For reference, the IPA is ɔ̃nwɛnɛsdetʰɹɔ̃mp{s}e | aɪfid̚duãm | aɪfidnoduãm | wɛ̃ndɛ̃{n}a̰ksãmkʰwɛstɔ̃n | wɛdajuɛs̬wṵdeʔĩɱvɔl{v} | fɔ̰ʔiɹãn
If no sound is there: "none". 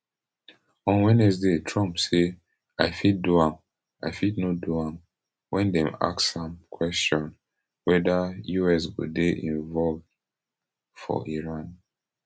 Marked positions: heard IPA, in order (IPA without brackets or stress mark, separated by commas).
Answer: s, m, v